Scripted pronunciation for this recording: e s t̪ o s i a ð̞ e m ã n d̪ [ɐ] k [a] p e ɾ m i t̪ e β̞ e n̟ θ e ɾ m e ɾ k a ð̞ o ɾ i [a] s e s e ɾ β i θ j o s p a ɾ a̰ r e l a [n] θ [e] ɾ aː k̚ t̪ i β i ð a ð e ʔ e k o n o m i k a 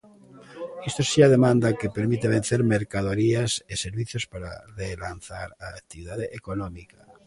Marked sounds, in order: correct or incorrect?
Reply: incorrect, incorrect, correct, correct, incorrect

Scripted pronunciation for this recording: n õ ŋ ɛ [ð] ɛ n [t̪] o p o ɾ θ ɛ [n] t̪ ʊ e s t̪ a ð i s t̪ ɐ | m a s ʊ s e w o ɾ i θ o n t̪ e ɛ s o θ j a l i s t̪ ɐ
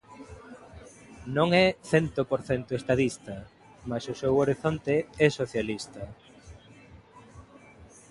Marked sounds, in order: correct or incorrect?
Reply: incorrect, correct, correct

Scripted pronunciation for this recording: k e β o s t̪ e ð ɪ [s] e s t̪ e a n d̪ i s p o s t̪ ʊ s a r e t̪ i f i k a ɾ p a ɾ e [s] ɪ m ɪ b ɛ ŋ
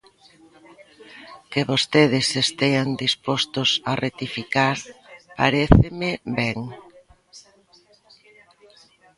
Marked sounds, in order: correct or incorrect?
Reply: correct, incorrect

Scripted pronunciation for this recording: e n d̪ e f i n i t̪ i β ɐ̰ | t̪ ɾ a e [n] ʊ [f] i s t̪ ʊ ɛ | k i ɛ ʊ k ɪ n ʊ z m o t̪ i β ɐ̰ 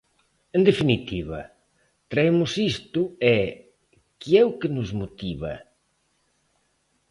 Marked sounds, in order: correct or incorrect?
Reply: incorrect, incorrect

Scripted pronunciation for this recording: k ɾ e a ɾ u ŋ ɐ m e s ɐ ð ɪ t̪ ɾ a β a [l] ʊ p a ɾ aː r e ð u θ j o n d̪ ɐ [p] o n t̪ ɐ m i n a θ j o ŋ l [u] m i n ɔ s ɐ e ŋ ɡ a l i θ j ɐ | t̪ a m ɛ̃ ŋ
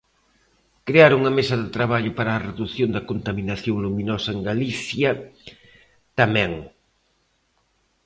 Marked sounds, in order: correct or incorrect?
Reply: incorrect, incorrect, correct

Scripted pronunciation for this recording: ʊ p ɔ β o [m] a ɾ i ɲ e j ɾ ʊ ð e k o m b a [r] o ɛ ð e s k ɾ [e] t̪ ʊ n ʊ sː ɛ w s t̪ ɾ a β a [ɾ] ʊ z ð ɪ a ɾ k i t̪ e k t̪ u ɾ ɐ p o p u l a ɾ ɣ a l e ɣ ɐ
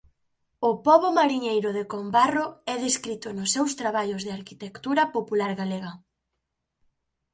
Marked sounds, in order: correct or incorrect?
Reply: correct, correct, incorrect, incorrect

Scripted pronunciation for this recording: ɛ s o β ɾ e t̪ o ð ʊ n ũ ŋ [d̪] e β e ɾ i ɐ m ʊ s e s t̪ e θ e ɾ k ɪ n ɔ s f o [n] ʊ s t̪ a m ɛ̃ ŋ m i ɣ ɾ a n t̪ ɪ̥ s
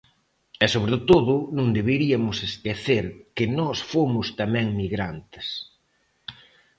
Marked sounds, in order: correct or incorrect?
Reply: correct, incorrect

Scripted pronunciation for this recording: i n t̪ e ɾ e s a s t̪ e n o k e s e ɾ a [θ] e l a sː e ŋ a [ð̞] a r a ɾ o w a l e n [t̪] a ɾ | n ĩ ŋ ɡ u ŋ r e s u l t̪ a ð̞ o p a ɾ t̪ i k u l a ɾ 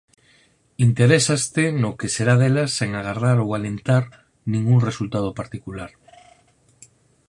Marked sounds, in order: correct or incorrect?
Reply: incorrect, incorrect, correct

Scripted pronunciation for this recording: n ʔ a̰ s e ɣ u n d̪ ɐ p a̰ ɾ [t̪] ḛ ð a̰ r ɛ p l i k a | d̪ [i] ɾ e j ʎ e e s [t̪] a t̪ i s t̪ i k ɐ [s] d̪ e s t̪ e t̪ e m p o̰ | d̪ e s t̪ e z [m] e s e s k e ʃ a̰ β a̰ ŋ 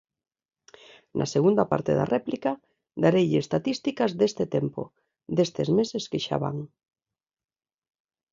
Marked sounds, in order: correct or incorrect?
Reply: correct, incorrect, correct, incorrect, correct

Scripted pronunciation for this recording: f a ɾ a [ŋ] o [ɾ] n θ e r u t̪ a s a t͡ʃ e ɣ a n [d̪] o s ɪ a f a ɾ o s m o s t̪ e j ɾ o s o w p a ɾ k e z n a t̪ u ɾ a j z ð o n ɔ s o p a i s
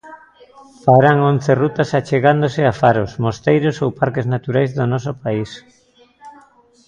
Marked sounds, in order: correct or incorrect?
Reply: correct, incorrect, correct

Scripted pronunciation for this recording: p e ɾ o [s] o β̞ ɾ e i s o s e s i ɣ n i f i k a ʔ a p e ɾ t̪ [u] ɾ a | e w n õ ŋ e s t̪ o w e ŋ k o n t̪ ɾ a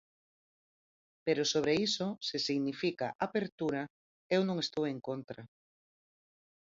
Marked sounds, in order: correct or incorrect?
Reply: correct, correct

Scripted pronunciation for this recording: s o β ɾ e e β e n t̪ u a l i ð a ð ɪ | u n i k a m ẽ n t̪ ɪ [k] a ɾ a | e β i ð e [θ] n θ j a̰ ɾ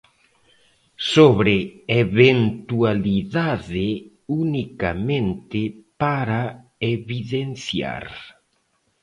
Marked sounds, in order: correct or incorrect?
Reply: incorrect, incorrect

